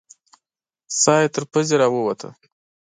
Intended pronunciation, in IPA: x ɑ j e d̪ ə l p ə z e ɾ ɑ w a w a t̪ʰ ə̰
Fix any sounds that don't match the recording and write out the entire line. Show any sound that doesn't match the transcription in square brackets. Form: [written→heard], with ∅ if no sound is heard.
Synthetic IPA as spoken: [x→s] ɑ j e [d̪→t̪] ə [l→ɾ] p ə z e ɾ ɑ w [a→ə] w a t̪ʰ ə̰

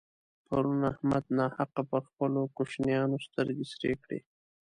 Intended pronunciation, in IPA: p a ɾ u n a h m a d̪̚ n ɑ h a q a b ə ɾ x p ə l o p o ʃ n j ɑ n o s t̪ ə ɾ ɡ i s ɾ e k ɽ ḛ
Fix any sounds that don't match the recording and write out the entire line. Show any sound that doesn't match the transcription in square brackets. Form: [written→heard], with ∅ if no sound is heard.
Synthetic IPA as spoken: p a ɾ u n a h m a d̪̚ n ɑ h a q a [b→p] ə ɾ x p ə l o [p→k] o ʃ n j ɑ n o s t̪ ə ɾ ɡ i s ɾ e k ɽ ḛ

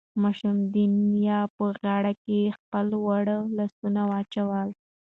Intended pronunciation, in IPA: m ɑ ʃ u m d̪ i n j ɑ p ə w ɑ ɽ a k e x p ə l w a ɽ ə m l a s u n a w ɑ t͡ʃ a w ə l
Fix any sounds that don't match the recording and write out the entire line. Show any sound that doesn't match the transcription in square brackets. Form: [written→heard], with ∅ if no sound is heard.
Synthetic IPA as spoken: m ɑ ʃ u m d̪ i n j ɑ p ə [w→ɣ] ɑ ɽ a k e x p ə l w a ɽ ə [m→∅] l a s u n a w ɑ t͡ʃ a w ə l

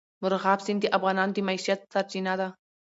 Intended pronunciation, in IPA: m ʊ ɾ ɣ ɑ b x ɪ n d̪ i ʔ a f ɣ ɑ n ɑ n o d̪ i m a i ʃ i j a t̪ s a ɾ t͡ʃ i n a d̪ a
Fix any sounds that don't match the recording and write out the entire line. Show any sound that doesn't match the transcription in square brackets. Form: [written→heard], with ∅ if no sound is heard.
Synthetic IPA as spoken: m ʊ ɾ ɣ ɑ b [x→s] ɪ n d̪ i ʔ a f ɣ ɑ n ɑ n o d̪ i m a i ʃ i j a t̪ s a ɾ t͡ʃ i n a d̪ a

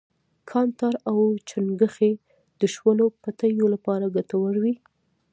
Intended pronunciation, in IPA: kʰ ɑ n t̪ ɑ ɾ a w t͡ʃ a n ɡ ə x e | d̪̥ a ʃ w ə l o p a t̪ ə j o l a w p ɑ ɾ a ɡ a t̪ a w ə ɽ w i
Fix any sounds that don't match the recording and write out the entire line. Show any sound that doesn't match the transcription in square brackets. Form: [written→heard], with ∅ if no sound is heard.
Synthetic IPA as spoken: kʰ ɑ n t̪ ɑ ɾ a w t͡ʃ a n ɡ ə x e | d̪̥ [a→ə] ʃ w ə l o p a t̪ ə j o l a [w→∅] p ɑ ɾ a ɡ a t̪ a w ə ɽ w i

